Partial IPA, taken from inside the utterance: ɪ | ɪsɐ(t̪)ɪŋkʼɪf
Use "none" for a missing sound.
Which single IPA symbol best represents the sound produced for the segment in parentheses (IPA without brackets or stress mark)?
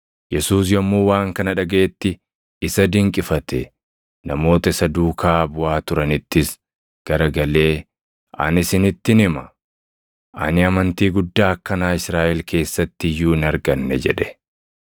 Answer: d̪